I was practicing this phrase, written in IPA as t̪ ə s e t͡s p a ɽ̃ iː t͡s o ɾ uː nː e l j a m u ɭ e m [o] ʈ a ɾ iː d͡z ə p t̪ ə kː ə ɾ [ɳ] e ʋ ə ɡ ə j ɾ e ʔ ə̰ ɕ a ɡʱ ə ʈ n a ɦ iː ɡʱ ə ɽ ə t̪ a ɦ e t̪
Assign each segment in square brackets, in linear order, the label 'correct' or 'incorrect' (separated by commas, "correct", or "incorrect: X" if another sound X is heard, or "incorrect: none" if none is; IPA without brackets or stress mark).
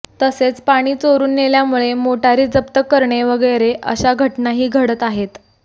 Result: correct, correct